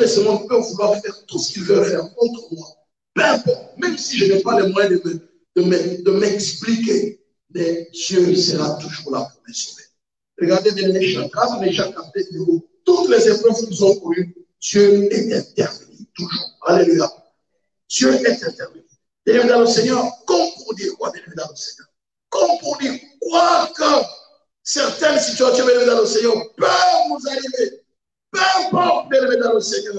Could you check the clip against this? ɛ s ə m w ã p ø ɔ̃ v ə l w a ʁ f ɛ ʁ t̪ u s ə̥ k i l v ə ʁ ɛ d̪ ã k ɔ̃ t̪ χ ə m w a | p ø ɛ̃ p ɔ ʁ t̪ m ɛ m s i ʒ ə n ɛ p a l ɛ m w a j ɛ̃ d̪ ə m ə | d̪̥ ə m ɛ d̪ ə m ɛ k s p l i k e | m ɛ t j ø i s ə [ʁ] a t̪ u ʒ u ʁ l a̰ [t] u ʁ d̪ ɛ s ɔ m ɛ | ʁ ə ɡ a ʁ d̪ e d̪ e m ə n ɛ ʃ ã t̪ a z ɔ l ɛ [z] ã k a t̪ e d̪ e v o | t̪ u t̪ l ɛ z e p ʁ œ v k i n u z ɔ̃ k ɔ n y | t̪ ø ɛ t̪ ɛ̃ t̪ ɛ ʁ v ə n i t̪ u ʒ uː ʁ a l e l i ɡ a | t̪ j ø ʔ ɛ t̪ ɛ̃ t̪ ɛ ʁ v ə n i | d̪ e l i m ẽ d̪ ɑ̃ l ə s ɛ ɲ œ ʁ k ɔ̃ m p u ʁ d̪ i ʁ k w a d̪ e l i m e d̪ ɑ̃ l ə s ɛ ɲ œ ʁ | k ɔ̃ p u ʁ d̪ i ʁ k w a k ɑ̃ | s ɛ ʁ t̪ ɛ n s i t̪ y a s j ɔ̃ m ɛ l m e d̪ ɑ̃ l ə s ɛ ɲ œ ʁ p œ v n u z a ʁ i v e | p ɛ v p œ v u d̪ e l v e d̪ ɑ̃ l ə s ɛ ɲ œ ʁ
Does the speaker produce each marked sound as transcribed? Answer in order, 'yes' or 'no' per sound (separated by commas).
yes, no, no